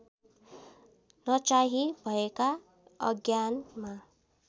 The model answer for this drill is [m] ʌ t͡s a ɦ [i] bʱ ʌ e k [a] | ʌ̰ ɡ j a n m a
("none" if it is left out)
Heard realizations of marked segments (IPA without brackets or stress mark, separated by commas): n, i, a